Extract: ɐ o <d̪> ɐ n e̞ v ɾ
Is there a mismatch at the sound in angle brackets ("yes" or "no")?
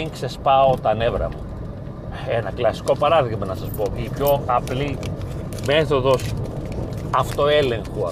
yes